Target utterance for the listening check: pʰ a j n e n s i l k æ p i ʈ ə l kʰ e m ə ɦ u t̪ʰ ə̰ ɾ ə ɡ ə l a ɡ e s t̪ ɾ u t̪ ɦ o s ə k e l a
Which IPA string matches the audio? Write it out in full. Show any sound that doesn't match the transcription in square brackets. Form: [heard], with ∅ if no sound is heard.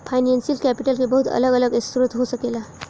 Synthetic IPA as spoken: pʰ a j n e n s i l k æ p i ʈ ə l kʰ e [b] ə ɦ u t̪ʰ ə̰ [l] ə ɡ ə l [ə] ɡ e s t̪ ɾ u t̪ ɦ o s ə k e l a